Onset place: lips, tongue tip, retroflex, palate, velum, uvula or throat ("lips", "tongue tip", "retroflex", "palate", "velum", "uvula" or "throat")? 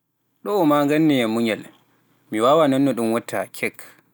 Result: tongue tip